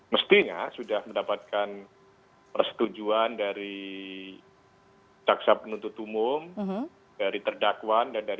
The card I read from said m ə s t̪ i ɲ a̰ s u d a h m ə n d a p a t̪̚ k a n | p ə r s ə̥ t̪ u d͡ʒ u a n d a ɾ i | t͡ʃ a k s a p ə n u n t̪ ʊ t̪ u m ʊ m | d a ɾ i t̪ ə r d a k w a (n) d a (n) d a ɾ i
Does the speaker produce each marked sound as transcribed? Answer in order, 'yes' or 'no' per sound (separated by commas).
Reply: yes, yes